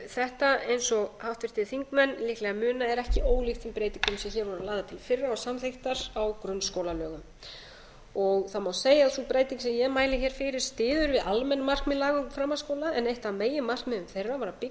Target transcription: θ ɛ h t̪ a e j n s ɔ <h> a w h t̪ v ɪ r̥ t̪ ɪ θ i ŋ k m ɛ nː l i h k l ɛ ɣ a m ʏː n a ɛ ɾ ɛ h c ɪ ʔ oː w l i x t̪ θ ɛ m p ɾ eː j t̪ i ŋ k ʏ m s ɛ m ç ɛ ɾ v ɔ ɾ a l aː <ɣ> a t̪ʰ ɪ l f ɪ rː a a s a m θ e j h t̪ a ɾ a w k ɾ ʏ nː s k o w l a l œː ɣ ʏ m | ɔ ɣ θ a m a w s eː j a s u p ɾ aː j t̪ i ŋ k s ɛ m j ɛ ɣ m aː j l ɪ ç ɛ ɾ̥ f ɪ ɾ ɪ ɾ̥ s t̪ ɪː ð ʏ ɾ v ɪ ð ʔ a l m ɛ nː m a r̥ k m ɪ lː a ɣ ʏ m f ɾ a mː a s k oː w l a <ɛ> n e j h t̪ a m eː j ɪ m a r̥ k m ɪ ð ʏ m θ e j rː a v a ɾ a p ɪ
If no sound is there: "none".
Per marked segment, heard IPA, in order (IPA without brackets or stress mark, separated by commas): h, ð, ɛ